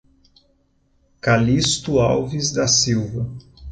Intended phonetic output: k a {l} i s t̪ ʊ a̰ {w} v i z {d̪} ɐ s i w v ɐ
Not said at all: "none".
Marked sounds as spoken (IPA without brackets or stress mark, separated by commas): l, w, d̪